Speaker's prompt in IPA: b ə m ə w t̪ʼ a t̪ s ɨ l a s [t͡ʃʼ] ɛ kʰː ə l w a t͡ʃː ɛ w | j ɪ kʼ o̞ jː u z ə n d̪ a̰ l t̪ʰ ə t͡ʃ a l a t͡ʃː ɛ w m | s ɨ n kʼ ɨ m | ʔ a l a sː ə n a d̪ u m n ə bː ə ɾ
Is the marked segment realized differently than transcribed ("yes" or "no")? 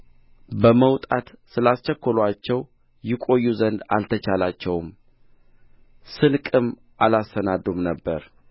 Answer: yes